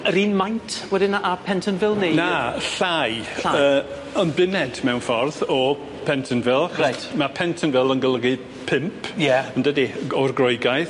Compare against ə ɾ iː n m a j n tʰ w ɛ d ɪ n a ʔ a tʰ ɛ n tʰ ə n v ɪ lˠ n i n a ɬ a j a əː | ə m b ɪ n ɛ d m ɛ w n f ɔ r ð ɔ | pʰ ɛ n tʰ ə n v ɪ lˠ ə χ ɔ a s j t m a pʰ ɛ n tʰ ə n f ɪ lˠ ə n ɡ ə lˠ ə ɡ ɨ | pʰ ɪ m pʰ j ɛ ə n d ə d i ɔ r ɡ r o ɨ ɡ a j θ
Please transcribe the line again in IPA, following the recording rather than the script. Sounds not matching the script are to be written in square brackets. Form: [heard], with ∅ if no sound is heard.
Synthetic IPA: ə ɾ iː n m a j n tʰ w ɛ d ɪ n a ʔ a [pʰ] ɛ n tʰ ə n v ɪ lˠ n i n a ɬ a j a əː | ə [n] b ɪ n ɛ d m ɛ w n f ɔ r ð ɔ | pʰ ɛ n tʰ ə n v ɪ lˠ [a] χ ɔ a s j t m a pʰ ɛ n tʰ ə n [v] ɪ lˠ ə n ɡ ə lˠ ə ɡ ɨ | pʰ ɪ m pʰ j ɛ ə n d ə d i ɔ r ɡ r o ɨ ɡ a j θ